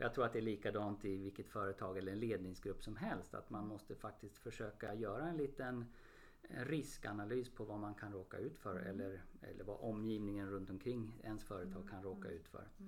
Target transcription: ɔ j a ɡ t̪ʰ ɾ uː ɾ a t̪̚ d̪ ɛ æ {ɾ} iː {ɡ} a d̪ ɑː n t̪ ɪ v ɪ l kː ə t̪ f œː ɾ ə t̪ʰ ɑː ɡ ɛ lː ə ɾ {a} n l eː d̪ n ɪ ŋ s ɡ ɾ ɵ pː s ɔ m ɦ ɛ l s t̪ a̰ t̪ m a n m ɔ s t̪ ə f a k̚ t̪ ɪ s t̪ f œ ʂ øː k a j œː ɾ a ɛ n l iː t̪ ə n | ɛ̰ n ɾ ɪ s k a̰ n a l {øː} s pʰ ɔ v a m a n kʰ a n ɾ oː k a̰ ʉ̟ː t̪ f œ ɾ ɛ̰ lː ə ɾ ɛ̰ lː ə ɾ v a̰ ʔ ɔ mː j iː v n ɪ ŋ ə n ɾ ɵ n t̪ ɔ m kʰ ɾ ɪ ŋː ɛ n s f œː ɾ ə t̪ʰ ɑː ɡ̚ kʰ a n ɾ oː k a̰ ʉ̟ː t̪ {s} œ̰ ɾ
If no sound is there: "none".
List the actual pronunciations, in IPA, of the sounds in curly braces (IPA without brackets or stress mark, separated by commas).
ɭ, k, ɛ, yː, f